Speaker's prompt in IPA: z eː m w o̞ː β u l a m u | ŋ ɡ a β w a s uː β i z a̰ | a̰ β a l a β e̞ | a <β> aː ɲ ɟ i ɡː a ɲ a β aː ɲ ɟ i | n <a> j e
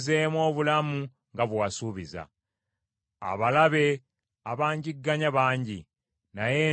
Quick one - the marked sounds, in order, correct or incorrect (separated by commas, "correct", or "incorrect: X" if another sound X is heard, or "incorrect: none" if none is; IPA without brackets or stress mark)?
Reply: correct, correct